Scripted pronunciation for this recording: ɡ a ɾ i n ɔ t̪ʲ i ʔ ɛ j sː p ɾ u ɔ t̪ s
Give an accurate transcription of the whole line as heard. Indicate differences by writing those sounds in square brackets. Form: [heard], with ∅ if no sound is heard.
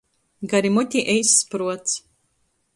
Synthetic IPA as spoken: ɡ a ɾ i [m] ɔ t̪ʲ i ʔ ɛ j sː p ɾ u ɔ t̪ s